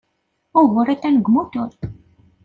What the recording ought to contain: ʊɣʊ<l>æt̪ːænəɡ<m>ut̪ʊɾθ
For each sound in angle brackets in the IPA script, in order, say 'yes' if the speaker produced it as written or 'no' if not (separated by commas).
no, yes